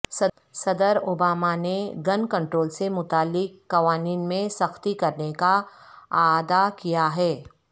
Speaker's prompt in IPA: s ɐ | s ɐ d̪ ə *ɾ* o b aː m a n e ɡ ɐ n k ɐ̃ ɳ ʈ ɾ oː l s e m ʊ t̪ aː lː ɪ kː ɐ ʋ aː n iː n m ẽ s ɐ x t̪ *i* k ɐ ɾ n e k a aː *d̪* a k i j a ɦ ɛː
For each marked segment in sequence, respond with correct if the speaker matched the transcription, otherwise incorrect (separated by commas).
correct, correct, correct